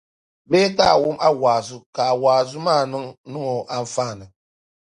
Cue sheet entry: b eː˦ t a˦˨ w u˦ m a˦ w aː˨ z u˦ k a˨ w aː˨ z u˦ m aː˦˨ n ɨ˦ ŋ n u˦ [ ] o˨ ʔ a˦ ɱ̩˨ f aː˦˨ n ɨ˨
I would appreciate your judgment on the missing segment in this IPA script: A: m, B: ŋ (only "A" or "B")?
B